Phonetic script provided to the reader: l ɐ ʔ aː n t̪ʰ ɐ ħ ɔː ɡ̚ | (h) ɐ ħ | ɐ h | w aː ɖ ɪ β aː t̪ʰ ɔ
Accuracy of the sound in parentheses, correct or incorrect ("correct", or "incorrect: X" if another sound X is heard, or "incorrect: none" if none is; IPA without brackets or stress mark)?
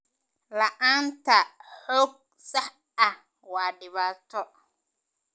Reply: incorrect: s